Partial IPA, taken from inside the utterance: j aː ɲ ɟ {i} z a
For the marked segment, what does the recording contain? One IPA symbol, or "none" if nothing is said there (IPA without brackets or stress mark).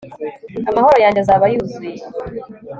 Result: e